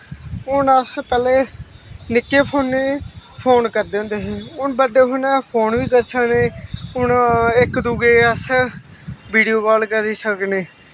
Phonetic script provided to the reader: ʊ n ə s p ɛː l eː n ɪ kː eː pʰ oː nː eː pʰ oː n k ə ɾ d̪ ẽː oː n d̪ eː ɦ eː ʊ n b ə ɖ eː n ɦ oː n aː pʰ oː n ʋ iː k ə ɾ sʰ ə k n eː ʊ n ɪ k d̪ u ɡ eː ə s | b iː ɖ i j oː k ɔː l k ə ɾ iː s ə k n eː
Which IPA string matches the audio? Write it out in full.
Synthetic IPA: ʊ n ə s p ɛː l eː n ɪ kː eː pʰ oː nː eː pʰ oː n k ə ɾ d̪ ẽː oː n d̪ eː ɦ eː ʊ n b ə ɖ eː ɦ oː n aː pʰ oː n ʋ iː k ə ɾ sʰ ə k n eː ʊ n ɪ k d̪ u ɡ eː ə s | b iː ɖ i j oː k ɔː l k ə ɾ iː s ə k n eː